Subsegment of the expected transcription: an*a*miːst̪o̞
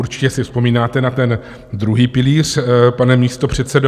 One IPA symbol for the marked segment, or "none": ɛ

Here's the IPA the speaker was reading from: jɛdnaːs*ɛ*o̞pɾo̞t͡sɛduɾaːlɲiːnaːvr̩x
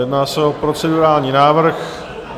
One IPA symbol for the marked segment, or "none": ɛ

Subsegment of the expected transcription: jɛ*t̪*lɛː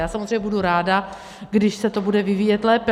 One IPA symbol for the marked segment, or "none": t̪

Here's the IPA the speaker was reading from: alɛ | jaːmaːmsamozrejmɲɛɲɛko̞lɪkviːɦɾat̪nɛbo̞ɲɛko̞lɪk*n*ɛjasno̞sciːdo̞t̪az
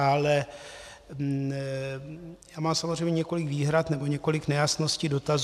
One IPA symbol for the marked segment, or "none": n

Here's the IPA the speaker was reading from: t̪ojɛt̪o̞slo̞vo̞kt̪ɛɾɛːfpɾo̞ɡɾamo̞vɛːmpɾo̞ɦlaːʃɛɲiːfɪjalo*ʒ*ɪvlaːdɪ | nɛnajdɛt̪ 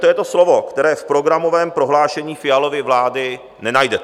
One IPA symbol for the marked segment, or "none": v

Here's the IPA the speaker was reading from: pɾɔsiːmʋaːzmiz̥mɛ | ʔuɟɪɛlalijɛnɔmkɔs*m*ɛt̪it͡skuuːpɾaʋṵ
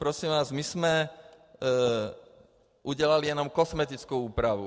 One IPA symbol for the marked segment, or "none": m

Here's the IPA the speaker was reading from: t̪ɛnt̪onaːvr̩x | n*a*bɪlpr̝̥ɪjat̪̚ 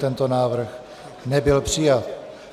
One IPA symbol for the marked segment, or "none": ɛ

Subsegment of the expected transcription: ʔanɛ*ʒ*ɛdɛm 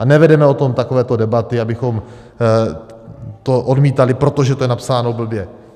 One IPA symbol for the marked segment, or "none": v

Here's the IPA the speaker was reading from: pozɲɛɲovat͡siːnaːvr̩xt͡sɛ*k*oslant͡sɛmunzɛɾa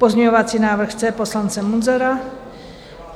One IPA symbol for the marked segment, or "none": p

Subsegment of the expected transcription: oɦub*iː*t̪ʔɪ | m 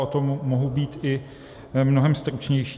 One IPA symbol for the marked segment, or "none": iː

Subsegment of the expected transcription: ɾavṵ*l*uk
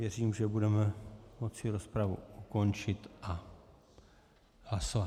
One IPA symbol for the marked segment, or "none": none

